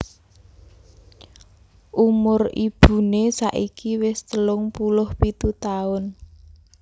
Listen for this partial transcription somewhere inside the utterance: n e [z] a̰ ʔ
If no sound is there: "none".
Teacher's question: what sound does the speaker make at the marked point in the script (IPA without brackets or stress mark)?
s